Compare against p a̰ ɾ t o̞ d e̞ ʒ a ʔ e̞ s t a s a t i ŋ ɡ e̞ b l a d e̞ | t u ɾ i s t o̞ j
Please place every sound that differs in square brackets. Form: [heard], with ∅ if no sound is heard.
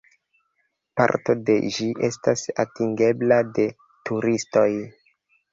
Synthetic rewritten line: p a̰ ɾ t o̞ d e̞ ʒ [i] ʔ e̞ s t a s a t i ŋ ɡ e̞ b l a d e̞ | t u ɾ i s t o̞ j